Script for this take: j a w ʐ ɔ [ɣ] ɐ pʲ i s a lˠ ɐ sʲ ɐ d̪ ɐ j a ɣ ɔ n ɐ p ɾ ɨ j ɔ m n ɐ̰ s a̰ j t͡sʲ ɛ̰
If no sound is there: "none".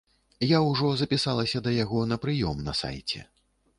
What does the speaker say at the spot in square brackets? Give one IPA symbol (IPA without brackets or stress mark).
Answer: z